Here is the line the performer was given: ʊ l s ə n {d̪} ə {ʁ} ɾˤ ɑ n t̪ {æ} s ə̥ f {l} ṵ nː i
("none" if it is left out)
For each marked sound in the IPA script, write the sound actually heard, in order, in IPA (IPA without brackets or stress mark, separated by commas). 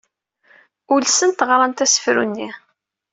t̪, ʁ, æ, ɾ